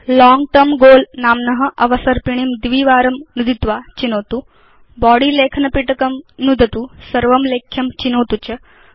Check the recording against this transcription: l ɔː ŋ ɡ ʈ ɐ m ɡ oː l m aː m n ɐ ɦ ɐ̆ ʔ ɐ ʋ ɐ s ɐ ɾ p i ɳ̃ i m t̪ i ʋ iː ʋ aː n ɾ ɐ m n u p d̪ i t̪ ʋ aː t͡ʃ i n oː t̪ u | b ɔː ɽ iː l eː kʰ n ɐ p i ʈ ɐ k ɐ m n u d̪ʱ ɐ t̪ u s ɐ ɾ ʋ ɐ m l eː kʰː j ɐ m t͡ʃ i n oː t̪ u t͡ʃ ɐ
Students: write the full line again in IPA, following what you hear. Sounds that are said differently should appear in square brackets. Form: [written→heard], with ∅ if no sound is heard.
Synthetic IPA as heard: l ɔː ŋ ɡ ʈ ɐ m ɡ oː l [m→n] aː m n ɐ ɦ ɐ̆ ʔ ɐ ʋ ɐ s ɐ ɾ p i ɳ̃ i m [t̪→d̪] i ʋ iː ʋ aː [n→∅] ɾ ɐ m n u [p→∅] d̪ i t̪ ʋ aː t͡ʃ i n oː t̪ u | b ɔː ɽ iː l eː kʰ n ɐ p i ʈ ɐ k ɐ m n u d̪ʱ ɐ t̪ u s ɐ ɾ ʋ ɐ m l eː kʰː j ɐ m t͡ʃ i n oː t̪ u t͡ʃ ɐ